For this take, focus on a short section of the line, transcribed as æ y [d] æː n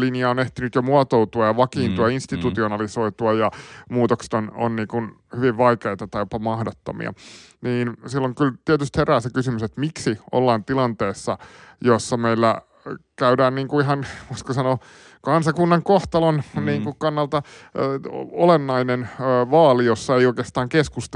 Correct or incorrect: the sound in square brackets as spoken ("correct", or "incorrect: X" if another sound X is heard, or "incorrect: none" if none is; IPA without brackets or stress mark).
correct